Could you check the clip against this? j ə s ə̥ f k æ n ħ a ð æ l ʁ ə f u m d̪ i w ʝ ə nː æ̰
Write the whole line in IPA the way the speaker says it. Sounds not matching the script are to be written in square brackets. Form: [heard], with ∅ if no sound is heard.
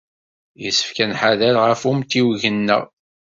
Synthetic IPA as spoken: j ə s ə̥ f k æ n ħ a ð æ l ʁ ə f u m [t̪] i w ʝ ə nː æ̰